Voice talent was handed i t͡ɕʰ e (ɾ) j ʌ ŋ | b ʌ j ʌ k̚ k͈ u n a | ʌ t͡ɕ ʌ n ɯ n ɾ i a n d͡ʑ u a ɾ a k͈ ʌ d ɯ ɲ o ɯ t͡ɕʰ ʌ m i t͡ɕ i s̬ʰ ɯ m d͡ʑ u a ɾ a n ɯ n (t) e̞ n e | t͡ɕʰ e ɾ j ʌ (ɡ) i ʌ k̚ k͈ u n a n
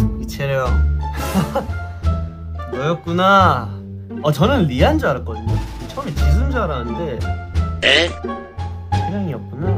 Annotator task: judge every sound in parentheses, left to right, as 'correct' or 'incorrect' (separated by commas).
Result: correct, incorrect, incorrect